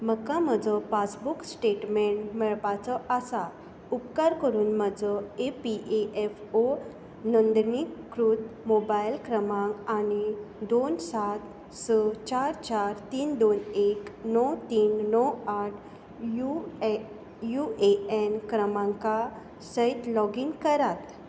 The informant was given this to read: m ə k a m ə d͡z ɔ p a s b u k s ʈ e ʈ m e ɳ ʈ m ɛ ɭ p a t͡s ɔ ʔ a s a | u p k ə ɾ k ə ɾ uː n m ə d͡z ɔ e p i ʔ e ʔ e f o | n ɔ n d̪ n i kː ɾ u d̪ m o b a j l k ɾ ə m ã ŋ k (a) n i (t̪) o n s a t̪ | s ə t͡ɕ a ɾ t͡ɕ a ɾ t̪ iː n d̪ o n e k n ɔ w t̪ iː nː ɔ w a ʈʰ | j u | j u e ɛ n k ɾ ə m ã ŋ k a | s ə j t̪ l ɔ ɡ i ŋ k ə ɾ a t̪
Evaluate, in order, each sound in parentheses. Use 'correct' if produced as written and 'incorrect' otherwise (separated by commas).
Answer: correct, incorrect